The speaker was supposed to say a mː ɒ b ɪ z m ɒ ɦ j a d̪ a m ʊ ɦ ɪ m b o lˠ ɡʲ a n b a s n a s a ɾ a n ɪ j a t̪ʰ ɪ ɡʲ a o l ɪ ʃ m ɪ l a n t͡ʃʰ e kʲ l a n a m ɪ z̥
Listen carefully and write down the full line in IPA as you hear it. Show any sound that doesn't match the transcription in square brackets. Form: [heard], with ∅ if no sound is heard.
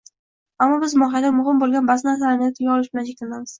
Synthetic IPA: a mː ɒ b ɪ z m ɒ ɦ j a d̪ a m ʊ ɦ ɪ m b o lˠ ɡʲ a n b a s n a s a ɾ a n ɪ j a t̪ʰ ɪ ɡʲ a [ɒ] l ɪ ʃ [b] ɪ l a n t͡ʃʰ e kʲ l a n a m ɪ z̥

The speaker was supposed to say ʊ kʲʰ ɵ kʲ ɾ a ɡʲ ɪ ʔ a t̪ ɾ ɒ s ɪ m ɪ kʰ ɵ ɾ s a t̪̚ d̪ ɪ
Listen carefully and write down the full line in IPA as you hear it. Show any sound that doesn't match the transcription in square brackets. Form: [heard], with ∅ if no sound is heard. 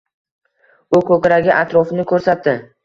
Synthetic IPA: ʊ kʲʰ ɵ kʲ ɾ a ɡʲ ɪ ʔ a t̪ ɾ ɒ [f] ɪ [n] ɪ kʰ ɵ ɾ s a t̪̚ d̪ ɪ

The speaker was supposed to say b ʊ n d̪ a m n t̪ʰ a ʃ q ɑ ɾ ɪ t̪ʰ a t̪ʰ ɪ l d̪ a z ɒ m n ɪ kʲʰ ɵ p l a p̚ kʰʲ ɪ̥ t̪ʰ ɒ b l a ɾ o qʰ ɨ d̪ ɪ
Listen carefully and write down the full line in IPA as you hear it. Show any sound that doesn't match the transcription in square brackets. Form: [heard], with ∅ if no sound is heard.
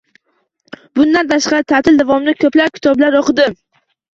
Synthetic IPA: b ʊ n d̪ a [∅] n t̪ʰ a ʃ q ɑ ɾ ɪ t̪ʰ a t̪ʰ ɪ l d̪ a [v] ɒ m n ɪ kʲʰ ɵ p l a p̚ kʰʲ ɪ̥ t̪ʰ ɒ b l a ɾ o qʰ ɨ d̪ ɪ

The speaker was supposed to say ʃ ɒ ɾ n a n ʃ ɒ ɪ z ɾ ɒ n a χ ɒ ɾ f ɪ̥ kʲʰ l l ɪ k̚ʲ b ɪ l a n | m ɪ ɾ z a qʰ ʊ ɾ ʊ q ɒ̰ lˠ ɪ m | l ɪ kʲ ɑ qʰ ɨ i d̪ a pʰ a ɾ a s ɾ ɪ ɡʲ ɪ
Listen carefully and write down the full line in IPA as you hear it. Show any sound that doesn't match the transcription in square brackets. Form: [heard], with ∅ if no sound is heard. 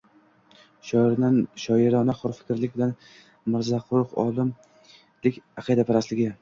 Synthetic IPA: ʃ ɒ ɾ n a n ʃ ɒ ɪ [∅] ɾ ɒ n a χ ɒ ɾ f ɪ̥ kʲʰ [ɾ] l ɪ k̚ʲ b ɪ l a n | m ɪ ɾ z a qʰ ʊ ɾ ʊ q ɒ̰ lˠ ɪ m | l ɪ kʲ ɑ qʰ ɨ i d̪ a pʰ a ɾ a s [l] ɪ ɡʲ ɪ

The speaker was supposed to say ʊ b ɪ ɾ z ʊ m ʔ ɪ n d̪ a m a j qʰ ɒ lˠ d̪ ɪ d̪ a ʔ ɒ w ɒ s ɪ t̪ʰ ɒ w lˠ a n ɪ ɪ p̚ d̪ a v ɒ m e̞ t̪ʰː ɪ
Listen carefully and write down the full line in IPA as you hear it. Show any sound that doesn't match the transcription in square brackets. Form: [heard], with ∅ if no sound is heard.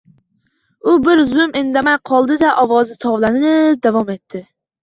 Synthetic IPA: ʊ b ɪ ɾ z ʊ m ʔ ɪ n d̪ a m a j qʰ ɒ lˠ d̪ ɪ d̪ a ʔ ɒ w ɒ [z] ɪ t̪ʰ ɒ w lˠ a n ɪ ɪ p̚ d̪ a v ɒ m e̞ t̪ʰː ɪ

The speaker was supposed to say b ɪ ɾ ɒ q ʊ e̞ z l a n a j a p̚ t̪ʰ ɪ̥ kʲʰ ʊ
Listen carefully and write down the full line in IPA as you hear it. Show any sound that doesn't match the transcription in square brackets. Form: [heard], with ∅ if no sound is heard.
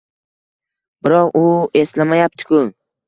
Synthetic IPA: b ɪ ɾ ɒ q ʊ e̞ [s] l a [m] a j a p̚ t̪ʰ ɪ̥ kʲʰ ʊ

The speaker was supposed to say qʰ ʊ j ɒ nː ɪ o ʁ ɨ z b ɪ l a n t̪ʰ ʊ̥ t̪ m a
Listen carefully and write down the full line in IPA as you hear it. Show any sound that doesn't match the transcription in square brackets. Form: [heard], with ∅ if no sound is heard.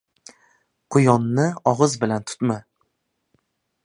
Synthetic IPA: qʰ ʊ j ɒ nː ɪ [ɒ] ʁ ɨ z b ɪ l a n t̪ʰ ʊ̥ t̪ m a

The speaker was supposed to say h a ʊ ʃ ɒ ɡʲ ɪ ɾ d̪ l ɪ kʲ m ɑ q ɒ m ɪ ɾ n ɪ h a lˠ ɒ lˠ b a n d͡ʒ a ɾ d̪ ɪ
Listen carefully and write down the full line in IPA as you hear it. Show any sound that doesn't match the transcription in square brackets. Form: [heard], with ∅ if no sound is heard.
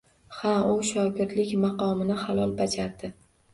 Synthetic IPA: h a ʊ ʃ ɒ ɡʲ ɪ ɾ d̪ l ɪ kʲ m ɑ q ɒ m ɪ [∅] n ɪ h a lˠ ɒ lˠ b a [∅] d͡ʒ a ɾ d̪ ɪ

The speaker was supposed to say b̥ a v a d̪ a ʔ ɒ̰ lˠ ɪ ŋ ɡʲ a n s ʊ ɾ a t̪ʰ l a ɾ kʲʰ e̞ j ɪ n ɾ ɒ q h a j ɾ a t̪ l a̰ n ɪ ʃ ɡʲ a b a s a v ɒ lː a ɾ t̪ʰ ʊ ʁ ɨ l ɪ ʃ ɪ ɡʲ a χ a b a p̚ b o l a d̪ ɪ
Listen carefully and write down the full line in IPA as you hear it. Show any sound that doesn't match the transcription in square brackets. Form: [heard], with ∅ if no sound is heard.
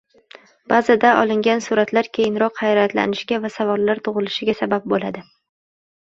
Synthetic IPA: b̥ a [z] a d̪ a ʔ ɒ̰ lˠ ɪ ŋ ɡʲ a n s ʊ ɾ a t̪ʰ l a ɾ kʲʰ e̞ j ɪ n ɾ ɒ q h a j ɾ a t̪ l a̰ n ɪ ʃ ɡʲ a [v] a s a v ɒ lː a ɾ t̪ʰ ʊ ʁ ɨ l ɪ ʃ ɪ ɡʲ a [s] a b a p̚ b o l a d̪ ɪ

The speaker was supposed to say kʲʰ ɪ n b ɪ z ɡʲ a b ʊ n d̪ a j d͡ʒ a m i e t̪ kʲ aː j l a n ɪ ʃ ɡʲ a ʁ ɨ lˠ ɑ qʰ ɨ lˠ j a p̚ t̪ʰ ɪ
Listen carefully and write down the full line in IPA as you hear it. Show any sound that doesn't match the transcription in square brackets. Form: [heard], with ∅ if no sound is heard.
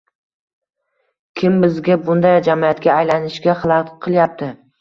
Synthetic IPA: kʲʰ ɪ [m] b ɪ z ɡʲ a b ʊ n d̪ a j d͡ʒ a m i [a] t̪ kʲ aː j l a n ɪ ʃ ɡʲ a [χ] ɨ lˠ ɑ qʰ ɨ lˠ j a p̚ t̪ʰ ɪ

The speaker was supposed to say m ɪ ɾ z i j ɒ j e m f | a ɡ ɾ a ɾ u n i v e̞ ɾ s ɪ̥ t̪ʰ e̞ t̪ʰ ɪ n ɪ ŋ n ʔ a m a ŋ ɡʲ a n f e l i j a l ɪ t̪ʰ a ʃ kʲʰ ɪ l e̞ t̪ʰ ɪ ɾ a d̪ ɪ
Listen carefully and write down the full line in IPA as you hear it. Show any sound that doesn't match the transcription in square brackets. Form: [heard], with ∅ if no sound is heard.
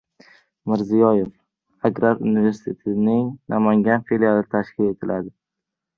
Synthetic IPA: m ɪ ɾ z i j ɒ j e [∅] f | a ɡ ɾ a ɾ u n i v e̞ ɾ s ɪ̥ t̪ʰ e̞ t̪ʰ ɪ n ɪ ŋ n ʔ a m a ŋ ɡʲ a n f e l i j a l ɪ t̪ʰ a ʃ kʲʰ ɪ l e̞ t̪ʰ ɪ [l] a d̪ ɪ

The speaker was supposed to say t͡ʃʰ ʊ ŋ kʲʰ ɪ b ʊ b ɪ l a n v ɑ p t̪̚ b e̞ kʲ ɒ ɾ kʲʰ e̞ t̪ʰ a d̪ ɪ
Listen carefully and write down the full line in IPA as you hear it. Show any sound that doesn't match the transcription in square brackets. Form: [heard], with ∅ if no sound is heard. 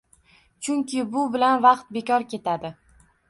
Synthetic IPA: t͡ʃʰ ʊ ŋ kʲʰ ɪ b ʊ b ɪ l a n v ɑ [q] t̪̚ b e̞ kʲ ɒ ɾ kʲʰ e̞ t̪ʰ a d̪ ɪ

